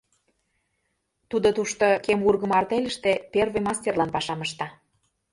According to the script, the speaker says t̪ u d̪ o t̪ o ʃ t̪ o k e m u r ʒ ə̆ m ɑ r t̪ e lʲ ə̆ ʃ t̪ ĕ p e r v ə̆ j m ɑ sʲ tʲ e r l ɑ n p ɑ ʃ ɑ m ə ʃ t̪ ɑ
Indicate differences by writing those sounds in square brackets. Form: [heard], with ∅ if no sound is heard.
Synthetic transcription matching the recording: t̪ u d̪ o t̪ [u] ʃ t̪ o k e m u r [ɣ] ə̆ m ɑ r t̪ e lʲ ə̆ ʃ t̪ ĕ p e r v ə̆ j m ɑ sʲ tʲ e r l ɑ n p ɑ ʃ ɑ m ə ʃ t̪ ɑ

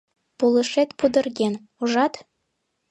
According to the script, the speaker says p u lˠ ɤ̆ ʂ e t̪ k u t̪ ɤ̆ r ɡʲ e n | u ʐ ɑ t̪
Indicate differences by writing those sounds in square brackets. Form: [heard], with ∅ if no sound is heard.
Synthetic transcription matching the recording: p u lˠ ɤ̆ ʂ e t̪ [p] u [d̪] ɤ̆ r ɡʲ e n | u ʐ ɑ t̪

